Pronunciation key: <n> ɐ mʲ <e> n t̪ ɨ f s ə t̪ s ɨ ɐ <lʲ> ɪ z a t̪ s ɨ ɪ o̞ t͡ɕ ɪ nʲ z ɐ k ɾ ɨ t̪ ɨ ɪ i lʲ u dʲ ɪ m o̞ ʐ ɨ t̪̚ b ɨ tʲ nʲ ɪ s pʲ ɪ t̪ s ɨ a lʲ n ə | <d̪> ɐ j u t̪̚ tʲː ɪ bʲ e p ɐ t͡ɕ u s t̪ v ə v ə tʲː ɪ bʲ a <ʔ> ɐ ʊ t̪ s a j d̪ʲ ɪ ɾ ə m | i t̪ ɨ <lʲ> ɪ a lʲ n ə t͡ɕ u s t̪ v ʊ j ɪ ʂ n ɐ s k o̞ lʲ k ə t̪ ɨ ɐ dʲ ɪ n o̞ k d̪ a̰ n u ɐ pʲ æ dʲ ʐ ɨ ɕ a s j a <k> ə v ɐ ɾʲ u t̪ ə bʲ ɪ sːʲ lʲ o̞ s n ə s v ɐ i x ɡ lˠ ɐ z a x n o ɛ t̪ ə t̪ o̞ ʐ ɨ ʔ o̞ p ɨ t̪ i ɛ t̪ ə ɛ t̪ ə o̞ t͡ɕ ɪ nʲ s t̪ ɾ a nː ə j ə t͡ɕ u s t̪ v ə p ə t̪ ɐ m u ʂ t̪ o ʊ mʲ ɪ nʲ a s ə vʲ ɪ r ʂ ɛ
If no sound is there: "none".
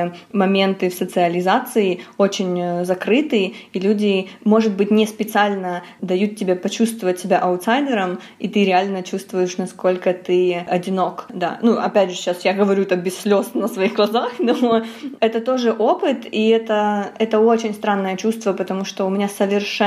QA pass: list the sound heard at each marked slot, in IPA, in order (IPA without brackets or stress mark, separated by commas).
m, e, lʲ, d̪, ʔ, ɾʲ, ɡ